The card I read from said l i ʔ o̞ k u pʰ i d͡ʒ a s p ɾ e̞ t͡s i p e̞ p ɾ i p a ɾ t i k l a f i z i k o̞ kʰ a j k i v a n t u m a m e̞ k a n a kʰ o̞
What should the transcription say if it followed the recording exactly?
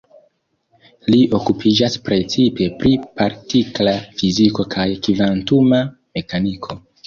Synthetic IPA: l i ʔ o̞ k u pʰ i d͡ʒ a s p ɾ e̞ t͡s i p e̞ p ɾ i p a ɾ t i k l a f i z i k o̞ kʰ a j k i v a n t u m a m e̞ k a n i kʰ o̞

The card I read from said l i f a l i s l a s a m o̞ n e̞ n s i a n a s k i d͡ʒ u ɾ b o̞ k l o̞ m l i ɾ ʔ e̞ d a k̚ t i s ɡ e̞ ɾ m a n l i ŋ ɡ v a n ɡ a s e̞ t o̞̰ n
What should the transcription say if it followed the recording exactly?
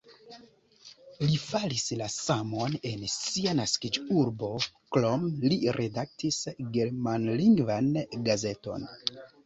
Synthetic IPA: l i f a l i s l a s a m o̞ n e̞ n s i a n a s k i d͡ʒ u ɾ b o̞ k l o̞ m l i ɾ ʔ e̞ d a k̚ t i s ɡ e̞ ɾ m a n l i ŋ ɡ v a n ɡ a z e̞ t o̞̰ n

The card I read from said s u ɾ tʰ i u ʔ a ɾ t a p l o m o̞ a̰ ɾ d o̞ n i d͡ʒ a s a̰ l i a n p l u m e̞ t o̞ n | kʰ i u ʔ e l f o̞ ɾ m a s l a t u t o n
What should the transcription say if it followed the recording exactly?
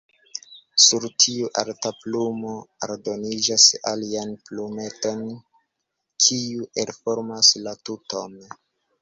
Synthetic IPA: s u ɾ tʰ i u ʔ a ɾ t a p l u m o̞ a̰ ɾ d o̞ n i d͡ʒ a s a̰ l i a n p l u m e̞ t o̞ n | kʰ i u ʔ e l f o̞ ɾ m a s l a t u t o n

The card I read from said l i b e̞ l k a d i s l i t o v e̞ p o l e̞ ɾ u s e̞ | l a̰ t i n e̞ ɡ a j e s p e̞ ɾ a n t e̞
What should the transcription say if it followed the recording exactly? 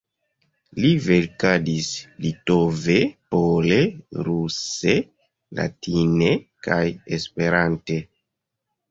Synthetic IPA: l i v e̞ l k a d i s l i t o v e̞ p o l e̞ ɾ u s e̞ | l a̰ t i n e̞ k a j e s p e̞ ɾ a n t e̞

